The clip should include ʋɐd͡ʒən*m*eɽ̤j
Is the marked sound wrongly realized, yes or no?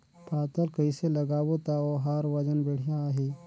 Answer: yes